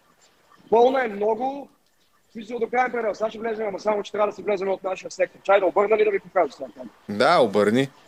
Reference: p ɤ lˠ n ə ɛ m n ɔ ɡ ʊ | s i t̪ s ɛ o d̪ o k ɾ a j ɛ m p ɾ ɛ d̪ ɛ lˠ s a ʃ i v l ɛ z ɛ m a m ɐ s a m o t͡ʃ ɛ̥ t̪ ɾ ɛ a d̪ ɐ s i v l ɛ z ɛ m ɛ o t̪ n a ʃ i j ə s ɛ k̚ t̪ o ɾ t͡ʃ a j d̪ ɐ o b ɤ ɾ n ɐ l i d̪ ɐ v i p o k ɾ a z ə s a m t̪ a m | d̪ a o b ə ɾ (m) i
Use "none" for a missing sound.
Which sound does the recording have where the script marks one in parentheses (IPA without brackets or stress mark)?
n